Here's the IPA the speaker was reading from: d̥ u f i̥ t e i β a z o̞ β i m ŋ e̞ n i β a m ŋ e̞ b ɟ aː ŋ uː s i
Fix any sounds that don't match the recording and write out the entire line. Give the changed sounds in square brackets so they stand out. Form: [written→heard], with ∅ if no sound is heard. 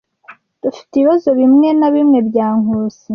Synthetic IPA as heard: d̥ u f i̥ t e i β a z o̞ β i m ŋ e̞ n [i→a] β [a→i] m ŋ e̞ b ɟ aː ŋ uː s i